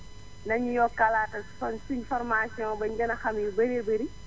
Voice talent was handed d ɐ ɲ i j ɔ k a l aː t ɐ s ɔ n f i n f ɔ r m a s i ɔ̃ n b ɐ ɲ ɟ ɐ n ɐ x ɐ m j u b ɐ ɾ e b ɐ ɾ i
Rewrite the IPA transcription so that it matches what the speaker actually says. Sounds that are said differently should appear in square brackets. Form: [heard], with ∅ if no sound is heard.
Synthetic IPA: [n] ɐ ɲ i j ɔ k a l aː t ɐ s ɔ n [s] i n f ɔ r m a s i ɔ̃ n b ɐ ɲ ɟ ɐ n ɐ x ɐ m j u b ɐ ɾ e b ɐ ɾ i